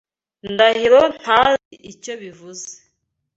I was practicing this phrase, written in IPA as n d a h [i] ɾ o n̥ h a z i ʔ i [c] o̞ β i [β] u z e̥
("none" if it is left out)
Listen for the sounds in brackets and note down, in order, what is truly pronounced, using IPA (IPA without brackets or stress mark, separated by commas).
i, c, v